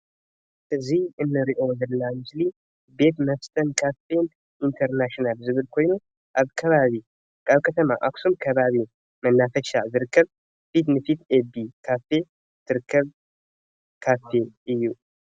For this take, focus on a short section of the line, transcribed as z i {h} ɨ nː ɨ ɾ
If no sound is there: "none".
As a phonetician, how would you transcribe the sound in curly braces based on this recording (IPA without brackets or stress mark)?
h